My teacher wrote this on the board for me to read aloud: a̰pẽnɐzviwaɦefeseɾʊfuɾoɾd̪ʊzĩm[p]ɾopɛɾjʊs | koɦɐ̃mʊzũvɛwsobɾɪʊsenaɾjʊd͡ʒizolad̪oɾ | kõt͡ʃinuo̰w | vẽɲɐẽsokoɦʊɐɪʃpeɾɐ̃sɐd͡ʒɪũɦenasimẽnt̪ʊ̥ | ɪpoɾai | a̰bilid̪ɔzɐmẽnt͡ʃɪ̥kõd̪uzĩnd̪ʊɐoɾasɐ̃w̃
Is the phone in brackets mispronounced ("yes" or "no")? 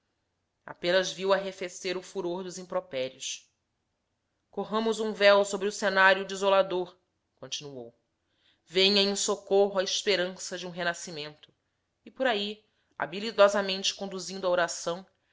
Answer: no